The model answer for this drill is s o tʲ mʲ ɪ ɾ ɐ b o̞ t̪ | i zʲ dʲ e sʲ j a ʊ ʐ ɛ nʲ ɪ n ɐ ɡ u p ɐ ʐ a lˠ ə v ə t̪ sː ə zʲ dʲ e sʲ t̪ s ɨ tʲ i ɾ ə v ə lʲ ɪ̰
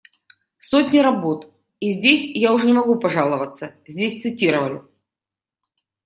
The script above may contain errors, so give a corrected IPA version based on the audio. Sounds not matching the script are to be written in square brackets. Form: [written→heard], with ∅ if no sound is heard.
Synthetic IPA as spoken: s o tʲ [mʲ→nʲ] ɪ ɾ ɐ b o̞ t̪ | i zʲ dʲ e sʲ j a ʊ ʐ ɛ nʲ ɪ [n→m] ɐ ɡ u p ɐ ʐ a lˠ ə v ə t̪ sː ə zʲ dʲ e sʲ t̪ s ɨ tʲ i ɾ ə v ə lʲ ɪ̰